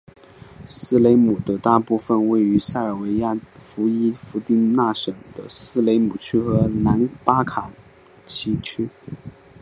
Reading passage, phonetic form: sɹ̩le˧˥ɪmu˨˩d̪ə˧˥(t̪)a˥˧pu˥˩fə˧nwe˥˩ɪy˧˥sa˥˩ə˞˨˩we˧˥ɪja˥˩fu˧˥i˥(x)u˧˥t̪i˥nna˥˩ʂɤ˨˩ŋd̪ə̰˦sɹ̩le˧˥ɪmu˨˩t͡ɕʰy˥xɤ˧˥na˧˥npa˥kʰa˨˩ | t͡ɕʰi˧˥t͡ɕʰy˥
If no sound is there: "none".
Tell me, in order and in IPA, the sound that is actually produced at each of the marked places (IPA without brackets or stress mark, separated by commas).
t̪, f